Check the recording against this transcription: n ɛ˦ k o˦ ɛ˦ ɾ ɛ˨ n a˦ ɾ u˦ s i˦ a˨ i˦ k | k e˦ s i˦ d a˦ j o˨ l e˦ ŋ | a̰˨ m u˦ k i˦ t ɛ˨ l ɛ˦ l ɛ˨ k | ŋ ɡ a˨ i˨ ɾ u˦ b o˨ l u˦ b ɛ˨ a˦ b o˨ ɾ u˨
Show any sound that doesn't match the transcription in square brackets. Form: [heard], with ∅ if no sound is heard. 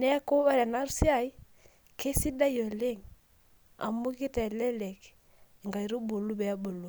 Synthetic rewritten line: n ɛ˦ k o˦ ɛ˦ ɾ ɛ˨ n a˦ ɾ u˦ s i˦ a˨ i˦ [∅] | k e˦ s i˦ d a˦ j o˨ l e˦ ŋ | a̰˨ m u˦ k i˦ t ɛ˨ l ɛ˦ l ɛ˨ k | ŋ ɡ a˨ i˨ ɾ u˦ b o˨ l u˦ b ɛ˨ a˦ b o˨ [l] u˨